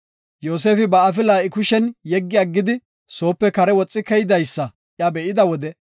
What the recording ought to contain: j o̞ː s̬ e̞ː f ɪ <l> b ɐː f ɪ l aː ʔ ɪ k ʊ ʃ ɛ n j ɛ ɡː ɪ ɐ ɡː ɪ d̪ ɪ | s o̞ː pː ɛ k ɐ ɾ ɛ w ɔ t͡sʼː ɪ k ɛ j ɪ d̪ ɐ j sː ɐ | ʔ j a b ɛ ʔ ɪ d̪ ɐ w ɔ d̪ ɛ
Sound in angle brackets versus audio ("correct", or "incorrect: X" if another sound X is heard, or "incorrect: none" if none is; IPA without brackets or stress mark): incorrect: none